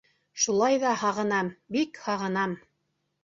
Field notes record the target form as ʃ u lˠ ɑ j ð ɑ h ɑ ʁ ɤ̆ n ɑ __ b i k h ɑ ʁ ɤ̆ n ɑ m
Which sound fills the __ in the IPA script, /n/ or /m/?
m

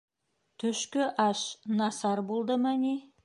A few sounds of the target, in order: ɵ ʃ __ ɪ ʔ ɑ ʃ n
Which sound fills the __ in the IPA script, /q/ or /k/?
k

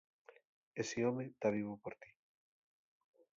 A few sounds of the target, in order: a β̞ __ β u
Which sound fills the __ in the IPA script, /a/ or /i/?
i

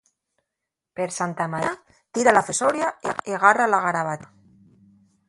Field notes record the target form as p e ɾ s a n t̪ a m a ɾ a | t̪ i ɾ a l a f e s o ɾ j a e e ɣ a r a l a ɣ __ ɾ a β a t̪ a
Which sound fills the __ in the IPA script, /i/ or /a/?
a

